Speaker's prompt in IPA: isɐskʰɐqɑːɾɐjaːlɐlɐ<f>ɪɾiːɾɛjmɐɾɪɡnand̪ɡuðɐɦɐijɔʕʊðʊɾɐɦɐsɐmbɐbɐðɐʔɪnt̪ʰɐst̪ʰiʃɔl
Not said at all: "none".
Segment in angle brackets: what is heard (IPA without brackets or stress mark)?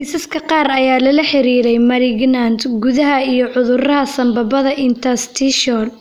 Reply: ħ